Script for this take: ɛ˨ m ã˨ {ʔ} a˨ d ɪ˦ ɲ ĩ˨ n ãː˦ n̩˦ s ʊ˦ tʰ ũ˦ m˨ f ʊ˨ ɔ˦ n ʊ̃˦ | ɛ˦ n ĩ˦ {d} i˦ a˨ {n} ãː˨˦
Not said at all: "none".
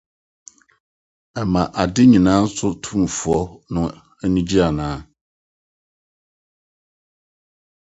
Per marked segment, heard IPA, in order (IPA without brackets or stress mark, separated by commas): ʔ, d͡ʑ, n